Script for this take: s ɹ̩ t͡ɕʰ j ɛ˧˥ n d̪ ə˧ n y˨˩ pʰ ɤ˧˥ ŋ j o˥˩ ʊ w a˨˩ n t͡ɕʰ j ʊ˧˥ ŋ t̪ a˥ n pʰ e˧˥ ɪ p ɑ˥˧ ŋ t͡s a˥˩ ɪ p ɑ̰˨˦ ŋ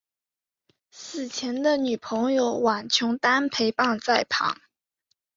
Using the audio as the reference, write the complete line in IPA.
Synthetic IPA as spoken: s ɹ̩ t͡ɕʰ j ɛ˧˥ n d̪ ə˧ n y˨˩ pʰ ɤ˧˥ ŋ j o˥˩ ʊ w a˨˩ n t͡ɕʰ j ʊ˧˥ ŋ t̪ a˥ n pʰ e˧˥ ɪ p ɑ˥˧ ŋ t͡s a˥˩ ɪ pʰ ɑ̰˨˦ ŋ

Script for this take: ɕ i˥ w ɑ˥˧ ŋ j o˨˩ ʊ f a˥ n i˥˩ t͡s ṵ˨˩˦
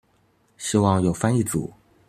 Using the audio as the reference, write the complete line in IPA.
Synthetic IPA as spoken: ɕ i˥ w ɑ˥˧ ŋ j o˨˩ ʊ f a˥ n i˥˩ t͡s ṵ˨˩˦

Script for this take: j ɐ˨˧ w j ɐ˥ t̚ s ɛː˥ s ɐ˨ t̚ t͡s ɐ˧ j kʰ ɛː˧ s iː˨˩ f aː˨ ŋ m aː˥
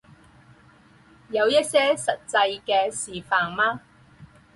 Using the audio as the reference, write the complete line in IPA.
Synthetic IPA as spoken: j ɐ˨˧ w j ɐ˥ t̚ s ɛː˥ s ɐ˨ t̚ t͡s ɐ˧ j k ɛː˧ s iː˨˩ f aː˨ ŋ m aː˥

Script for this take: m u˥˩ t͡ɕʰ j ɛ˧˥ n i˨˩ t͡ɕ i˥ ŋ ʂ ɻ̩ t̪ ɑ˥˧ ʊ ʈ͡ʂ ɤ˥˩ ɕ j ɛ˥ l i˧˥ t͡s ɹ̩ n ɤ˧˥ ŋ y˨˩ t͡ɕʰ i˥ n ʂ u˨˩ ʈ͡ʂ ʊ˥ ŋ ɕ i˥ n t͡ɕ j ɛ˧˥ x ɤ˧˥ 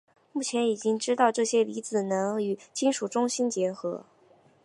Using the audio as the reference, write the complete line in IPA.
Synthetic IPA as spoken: m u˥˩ t͡ɕʰ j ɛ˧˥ n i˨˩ t͡ɕ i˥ ŋ ʈ͡ʂ ɻ̩ t̪ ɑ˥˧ ʊ ʈ͡ʂ ɤ˥˩ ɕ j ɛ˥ l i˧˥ t͡s ɹ̩ n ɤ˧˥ ŋ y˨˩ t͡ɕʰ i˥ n ʂ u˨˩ ʈ͡ʂ ʊ˥ ŋ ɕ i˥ n t͡ɕ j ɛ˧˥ x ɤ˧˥

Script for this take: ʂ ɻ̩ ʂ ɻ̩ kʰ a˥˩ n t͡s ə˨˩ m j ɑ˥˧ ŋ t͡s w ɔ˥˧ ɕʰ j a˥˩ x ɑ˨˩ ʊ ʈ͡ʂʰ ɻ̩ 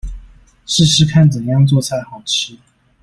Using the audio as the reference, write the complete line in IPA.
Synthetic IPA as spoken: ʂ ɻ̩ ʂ ɻ̩ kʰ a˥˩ n t͡s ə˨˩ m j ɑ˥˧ ŋ t͡s w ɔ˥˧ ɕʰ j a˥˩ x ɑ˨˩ ʊ ʈ͡ʂʰ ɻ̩

